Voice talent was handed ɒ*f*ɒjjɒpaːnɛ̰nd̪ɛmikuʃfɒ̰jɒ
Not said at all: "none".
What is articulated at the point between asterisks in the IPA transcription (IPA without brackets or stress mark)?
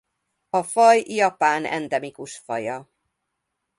f